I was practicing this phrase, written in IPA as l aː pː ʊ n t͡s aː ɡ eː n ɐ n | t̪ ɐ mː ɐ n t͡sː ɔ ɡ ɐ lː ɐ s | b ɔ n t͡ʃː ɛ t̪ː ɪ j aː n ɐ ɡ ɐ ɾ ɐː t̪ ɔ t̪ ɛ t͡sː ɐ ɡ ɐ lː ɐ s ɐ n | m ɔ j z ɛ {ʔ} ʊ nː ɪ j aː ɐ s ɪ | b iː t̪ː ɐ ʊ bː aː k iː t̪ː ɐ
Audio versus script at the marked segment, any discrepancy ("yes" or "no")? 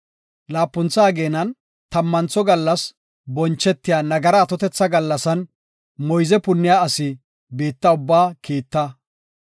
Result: yes